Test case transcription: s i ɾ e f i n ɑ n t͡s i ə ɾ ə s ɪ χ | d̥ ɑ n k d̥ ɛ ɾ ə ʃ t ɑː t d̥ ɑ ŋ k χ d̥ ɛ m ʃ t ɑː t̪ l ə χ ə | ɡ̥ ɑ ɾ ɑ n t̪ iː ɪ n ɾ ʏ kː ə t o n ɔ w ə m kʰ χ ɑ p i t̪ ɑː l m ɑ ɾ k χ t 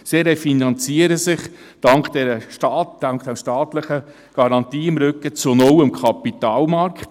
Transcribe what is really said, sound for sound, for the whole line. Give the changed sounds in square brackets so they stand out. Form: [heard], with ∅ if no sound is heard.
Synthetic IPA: s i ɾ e f i n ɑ n t͡s i ə ɾ ə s ɪ χ | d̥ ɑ [ŋ] k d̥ ɛ ɾ ə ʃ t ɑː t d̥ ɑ ŋ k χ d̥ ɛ m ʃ t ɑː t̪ l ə χ ə | ɡ̥ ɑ ɾ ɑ n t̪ iː ɪ [m] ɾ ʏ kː ə [t͡s] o n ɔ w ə m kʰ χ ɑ p i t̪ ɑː l m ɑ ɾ k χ t